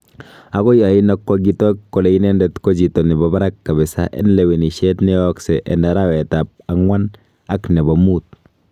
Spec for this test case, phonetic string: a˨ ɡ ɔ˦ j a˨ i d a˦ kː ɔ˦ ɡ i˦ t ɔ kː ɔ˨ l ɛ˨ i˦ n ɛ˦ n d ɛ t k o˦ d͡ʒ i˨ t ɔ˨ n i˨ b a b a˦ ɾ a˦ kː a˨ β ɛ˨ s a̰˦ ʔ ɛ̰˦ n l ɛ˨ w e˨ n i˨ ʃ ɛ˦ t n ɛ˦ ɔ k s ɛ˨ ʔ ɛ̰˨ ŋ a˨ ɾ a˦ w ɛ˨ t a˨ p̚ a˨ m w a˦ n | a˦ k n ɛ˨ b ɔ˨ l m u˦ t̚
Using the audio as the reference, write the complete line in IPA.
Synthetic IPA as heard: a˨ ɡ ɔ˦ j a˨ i n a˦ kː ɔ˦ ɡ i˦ t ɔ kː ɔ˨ l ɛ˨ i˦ n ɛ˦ n d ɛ t k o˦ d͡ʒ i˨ t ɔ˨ n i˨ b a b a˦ ɾ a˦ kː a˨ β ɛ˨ s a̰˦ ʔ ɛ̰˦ n l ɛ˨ w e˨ n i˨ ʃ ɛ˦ t n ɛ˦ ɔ k s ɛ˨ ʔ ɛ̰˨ n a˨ ɾ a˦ w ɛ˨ t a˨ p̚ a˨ ŋ w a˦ n | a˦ k n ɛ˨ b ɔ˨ m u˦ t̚